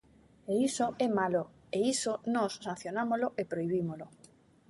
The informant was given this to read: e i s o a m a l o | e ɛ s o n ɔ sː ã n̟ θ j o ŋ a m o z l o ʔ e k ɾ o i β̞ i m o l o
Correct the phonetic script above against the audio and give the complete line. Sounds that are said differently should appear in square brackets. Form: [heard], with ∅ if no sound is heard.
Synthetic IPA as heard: e i s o [ɛ] m a l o | e [i] s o n ɔ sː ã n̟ θ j o [n] a m o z l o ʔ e [p] ɾ o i β̞ i m o l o